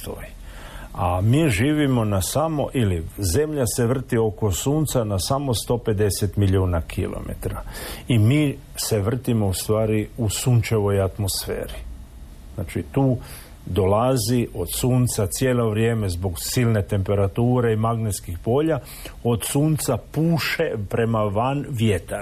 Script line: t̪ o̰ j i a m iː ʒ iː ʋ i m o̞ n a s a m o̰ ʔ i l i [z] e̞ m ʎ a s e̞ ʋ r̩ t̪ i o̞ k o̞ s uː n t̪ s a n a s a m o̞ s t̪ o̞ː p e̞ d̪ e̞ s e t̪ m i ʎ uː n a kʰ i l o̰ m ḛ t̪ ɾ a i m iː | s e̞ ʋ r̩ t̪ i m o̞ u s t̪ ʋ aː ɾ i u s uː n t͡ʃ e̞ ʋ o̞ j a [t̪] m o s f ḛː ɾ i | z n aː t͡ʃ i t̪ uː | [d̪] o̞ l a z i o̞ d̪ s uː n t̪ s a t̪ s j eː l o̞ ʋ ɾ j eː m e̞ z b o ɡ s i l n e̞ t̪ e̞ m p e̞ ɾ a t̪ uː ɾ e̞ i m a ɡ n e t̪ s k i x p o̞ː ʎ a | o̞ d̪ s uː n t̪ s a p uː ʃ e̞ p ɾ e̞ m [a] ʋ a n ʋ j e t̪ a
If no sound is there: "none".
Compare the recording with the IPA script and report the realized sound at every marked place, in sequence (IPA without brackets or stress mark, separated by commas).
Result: z, t̪, d̪, a